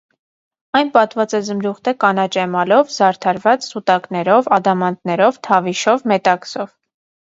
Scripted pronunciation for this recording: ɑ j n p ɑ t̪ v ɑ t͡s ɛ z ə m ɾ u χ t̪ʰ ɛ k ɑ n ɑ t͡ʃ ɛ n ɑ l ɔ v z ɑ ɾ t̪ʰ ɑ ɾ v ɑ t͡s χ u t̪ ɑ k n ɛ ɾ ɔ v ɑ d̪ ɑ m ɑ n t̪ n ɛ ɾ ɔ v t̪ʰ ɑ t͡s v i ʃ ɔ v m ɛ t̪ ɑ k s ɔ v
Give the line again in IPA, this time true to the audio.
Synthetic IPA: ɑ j n p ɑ t̪ v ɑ t͡s ɛ z ə m ɾ u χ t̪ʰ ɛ k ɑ n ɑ t͡ʃ ɛ m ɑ l ɔ v z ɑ ɾ t̪ʰ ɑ ɾ v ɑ t͡s s u t̪ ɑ k n ɛ ɾ ɔ v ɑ d̪ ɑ m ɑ n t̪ n ɛ ɾ ɔ v t̪ʰ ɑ v i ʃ ɔ v m ɛ t̪ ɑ k s ɔ v